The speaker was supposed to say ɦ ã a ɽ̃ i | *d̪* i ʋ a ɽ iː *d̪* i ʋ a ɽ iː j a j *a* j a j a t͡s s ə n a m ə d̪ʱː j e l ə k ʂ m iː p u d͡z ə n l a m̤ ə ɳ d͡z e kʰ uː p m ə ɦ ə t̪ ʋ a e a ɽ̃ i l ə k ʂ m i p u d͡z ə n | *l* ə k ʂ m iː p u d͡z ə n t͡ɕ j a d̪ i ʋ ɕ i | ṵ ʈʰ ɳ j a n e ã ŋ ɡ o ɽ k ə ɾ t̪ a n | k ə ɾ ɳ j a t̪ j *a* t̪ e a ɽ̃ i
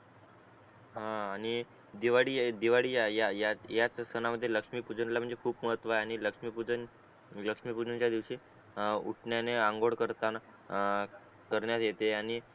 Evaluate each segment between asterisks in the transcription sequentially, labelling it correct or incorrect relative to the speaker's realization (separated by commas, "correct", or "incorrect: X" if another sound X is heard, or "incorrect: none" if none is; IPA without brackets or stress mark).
correct, correct, correct, correct, incorrect: e